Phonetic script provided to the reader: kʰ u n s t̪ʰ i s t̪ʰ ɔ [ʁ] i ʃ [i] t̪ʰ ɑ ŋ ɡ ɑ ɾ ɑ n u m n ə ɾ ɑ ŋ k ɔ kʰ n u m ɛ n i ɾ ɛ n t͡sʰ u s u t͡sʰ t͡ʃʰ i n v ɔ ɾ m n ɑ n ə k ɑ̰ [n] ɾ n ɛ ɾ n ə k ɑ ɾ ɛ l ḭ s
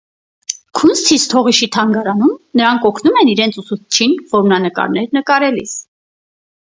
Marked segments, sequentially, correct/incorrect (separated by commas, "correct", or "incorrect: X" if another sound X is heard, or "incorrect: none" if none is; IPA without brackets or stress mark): correct, correct, incorrect: none